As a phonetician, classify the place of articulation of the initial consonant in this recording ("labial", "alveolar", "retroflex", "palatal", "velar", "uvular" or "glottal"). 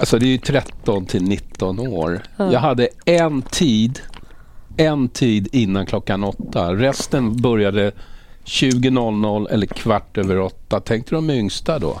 alveolar